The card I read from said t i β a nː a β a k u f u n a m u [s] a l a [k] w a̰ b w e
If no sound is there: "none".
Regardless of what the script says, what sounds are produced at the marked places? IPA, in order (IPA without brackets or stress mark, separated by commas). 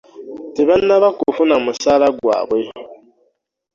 s, ɡ